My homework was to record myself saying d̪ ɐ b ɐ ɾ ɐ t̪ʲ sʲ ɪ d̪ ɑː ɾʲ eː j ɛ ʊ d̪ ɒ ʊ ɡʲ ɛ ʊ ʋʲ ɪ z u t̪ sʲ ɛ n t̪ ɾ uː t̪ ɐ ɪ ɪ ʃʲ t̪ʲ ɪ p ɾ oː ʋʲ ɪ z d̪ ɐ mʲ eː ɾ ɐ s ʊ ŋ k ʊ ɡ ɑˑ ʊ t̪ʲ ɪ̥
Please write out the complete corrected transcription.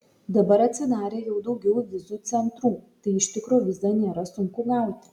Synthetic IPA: d̪ ɐ b ɐ ɾ ɐ t̪ʲ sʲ ɪ d̪ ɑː ɾʲ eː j ɛ ʊ d̪ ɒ ʊ ɡʲ ɛ ʊ ʋʲ ɪ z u t̪ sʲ ɛ n t̪ ɾ uː t̪ ɐ ɪ ɪ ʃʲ t̪ʲ ɪ k ɾ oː ʋʲ ɪ z d̪ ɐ nʲ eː ɾ ɐ s ʊ ŋ k ʊ ɡ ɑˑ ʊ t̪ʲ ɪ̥